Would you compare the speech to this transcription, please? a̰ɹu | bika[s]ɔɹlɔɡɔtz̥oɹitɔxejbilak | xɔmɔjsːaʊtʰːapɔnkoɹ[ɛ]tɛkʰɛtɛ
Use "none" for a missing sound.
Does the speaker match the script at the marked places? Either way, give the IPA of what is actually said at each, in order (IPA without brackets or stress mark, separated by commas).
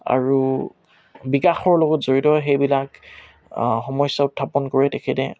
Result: x, ɛ